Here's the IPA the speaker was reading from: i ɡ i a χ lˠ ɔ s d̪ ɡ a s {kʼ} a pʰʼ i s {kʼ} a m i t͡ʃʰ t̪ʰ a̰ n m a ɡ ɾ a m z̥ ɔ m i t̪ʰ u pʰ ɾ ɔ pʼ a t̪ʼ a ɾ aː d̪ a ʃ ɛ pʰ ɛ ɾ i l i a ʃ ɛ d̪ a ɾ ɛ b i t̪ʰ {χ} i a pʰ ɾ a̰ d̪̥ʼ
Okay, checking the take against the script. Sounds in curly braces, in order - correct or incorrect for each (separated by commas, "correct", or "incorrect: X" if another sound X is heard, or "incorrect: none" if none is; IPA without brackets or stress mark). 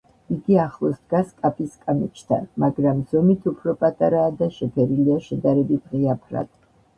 correct, correct, incorrect: ʁ